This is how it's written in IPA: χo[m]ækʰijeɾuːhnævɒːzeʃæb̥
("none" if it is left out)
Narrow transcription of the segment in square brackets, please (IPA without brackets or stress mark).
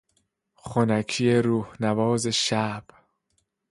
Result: n